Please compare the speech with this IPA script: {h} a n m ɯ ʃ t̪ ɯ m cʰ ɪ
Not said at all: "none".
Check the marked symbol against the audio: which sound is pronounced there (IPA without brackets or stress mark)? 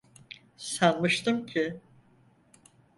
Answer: s